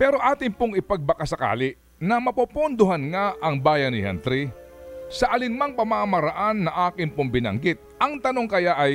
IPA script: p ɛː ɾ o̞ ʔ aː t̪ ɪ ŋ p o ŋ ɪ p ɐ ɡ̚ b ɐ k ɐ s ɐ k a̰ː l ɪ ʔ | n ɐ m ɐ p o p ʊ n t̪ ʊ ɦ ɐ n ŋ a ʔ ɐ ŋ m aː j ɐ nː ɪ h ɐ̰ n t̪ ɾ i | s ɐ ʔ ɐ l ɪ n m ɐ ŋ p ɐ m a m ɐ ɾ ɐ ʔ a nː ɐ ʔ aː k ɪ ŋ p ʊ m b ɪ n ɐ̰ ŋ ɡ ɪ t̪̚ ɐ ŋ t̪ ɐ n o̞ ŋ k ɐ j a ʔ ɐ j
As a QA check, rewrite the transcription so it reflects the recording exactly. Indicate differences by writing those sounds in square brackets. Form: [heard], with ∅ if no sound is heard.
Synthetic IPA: p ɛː ɾ o̞ ʔ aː t̪ ɪ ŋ p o ŋ ɪ p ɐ ɡ̚ b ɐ k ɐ s ɐ k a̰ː l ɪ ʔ | n ɐ m ɐ p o p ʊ n [d̪] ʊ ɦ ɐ n ŋ a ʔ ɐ ŋ [b] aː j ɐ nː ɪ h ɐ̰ n t̪ ɾ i | s ɐ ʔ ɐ l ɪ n m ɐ ŋ p ɐ m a m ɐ ɾ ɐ ʔ a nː ɐ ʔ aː k ɪ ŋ p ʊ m b ɪ n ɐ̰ ŋ ɡ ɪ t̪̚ ɐ ŋ t̪ ɐ n o̞ ŋ k ɐ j a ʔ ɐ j